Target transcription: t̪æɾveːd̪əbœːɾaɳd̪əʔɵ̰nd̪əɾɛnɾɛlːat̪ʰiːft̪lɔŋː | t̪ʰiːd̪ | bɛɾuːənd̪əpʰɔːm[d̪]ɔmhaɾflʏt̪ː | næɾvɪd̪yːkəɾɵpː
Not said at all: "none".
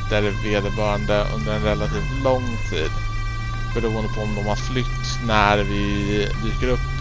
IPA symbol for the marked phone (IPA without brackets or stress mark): d̪